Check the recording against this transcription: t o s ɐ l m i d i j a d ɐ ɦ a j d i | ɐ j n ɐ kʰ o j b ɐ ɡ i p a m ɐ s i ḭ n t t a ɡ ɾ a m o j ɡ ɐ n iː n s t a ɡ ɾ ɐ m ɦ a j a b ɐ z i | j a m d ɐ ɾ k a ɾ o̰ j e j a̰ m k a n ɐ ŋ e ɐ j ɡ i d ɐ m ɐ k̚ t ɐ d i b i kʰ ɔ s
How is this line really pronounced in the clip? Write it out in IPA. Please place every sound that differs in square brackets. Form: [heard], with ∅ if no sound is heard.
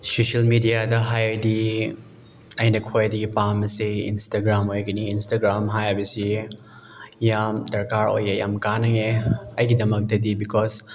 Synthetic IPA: [s] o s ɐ l m i d i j a d ɐ ɦ a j d i | ɐ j n ɐ kʰ o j [d] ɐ ɡ i p a m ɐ s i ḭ n [s] t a ɡ ɾ a m o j ɡ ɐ n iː n s t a ɡ ɾ [a] m ɦ a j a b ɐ [s] i | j a m d ɐ ɾ k a ɾ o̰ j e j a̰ m k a n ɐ ŋ e ɐ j ɡ i d ɐ m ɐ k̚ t ɐ d i b i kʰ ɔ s